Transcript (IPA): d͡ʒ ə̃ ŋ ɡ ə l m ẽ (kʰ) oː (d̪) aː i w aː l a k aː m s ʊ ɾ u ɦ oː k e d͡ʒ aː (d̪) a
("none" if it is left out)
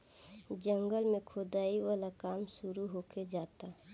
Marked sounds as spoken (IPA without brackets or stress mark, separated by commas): kʰ, d̪, t̪